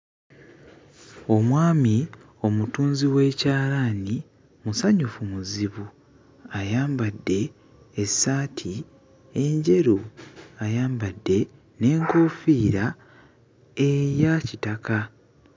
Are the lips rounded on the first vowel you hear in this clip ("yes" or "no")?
yes